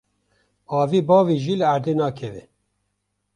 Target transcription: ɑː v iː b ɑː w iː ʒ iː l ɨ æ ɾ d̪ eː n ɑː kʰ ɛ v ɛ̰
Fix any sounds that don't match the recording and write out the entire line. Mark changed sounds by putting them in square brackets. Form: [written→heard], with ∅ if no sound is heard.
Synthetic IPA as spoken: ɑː v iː b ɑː [w→v] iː ʒ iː l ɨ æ ɾ d̪ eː n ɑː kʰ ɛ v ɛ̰